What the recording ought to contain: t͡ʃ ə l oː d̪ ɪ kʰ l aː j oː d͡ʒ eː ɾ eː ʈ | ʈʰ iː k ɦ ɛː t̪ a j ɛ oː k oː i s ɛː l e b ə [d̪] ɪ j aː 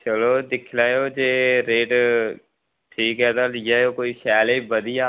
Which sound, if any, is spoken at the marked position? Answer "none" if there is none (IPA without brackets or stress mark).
d̪